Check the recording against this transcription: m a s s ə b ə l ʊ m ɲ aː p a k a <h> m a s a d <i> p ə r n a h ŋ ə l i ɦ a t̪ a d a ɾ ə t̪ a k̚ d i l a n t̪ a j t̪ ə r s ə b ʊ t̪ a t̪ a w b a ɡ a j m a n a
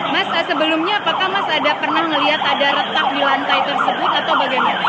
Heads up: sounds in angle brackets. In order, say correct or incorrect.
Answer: correct, incorrect: a

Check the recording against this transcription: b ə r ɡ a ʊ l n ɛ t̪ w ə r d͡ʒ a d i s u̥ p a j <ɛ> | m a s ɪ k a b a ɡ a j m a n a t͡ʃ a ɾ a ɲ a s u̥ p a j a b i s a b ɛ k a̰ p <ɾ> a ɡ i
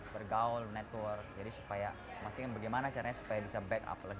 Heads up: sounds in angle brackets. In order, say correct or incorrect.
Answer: incorrect: a, incorrect: l

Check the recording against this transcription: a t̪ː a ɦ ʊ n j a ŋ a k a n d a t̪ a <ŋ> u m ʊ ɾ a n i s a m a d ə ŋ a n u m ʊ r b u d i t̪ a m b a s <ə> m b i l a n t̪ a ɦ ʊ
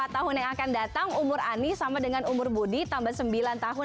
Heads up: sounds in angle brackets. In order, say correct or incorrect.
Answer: correct, correct

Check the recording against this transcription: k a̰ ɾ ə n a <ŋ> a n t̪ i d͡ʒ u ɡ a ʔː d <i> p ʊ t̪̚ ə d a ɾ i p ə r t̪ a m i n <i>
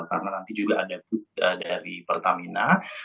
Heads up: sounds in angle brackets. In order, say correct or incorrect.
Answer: incorrect: n, incorrect: a, incorrect: a

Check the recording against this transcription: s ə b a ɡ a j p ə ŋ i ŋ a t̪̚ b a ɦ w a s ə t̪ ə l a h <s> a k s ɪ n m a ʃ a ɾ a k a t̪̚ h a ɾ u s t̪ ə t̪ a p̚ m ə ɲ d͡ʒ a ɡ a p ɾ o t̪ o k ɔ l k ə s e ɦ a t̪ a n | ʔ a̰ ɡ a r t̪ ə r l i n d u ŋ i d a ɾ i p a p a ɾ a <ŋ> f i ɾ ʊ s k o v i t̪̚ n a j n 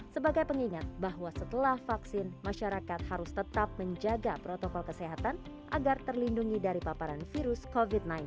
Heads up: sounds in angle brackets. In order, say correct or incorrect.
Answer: incorrect: f, incorrect: n

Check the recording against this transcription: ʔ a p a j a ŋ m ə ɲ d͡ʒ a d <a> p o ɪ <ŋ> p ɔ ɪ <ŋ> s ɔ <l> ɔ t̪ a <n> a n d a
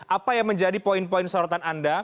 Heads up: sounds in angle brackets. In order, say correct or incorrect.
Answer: incorrect: i, incorrect: n, incorrect: n, incorrect: ɾ, correct

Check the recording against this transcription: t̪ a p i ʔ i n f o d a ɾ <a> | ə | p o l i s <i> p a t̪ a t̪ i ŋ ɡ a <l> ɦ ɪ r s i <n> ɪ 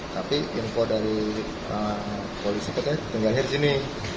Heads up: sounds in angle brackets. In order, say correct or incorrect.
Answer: incorrect: i, correct, correct, correct

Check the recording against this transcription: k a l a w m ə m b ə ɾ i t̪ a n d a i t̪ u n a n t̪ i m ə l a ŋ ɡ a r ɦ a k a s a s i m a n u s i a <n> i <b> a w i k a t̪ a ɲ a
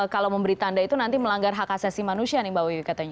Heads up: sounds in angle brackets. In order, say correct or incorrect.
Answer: correct, correct

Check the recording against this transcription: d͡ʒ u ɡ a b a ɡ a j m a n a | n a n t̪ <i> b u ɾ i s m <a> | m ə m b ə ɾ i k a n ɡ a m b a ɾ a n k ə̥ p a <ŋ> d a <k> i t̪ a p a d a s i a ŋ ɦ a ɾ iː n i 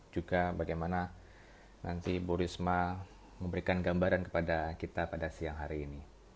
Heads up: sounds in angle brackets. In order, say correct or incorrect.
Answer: correct, correct, incorrect: none, correct

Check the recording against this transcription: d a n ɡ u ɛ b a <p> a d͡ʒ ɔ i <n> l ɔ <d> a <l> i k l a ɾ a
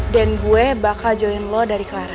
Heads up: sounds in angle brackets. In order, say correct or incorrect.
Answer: incorrect: k, correct, correct, incorrect: ɾ

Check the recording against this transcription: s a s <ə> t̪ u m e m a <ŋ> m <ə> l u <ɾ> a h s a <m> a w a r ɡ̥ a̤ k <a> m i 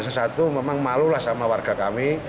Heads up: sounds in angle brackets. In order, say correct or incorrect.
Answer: incorrect: a, correct, incorrect: a, incorrect: l, correct, correct

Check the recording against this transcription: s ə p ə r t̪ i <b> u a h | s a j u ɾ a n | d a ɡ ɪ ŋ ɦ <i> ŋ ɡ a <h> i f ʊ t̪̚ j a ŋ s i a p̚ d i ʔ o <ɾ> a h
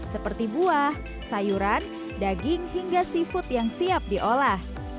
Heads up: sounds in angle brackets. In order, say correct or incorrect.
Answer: correct, correct, incorrect: s, incorrect: l

